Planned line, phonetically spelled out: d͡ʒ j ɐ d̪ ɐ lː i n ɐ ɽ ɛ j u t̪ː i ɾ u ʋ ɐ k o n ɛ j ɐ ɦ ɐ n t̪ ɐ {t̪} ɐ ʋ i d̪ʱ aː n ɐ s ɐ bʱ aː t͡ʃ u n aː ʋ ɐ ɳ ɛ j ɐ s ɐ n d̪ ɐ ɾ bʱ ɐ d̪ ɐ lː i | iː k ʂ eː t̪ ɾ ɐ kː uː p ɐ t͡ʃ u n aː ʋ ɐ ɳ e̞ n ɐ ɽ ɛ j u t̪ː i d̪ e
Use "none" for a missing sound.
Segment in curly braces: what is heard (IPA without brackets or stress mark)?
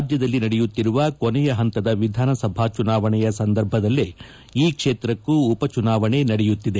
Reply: d̪